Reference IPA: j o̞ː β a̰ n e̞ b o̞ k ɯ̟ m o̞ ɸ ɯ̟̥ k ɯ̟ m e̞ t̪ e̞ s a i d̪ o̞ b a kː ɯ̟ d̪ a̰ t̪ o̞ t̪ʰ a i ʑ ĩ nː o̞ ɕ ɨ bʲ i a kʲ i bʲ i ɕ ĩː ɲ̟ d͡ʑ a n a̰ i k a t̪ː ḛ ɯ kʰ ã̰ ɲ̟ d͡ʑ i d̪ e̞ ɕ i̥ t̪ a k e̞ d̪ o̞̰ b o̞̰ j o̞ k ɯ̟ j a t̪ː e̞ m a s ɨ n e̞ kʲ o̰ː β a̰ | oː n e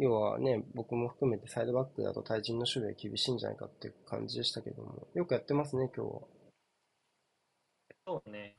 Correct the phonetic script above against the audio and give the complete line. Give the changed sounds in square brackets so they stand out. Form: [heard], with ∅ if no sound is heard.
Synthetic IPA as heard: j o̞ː β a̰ n e̞ b o̞ k ɯ̟ m o̞ ɸ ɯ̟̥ k ɯ̟ m e̞ t̪ e̞ s a i d̪ o̞ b a kː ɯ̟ d̪ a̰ t̪ o̞ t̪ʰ a i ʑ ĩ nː o̞ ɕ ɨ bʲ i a kʲ i bʲ i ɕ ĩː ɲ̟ d͡ʑ a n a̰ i k a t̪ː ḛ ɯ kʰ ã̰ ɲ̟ d͡ʑ i d̪ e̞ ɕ i̥ t̪ a k e̞ d̪ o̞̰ [m] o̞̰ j o̞ k ɯ̟ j a t̪ː e̞ m a s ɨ n e̞ kʲ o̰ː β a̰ | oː n e